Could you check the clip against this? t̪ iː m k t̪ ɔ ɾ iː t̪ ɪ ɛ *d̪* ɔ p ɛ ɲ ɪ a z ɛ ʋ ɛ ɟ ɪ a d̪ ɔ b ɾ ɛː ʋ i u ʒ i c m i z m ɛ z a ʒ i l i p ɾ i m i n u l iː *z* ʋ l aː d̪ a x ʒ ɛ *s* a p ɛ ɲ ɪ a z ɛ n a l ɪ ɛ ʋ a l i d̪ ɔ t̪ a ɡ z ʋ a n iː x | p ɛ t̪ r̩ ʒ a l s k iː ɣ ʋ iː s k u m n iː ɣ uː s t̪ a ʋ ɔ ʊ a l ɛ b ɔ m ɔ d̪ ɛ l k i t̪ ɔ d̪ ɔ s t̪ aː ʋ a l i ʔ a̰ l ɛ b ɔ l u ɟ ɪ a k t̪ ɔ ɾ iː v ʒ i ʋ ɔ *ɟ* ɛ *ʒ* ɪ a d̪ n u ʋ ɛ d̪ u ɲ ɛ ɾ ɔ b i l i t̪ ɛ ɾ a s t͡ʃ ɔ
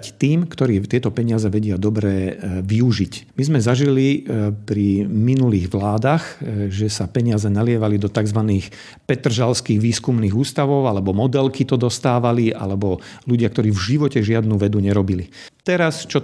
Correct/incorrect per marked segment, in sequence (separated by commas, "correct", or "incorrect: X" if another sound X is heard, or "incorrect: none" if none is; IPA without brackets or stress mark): incorrect: t̪, incorrect: ɣ, correct, incorrect: c, correct